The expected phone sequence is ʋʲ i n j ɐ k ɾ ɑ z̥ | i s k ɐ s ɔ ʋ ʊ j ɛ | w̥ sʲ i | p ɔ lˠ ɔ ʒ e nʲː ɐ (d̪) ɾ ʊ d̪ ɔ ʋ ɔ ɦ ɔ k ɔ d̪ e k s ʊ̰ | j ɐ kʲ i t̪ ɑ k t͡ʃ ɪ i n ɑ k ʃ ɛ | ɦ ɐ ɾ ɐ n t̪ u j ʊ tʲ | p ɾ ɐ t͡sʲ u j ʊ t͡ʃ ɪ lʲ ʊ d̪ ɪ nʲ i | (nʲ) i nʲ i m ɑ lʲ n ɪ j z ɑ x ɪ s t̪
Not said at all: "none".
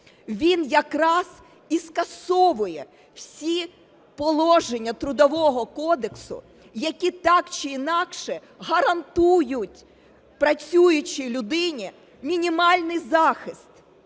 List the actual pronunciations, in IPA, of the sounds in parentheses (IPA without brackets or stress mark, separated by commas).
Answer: t̪, mʲ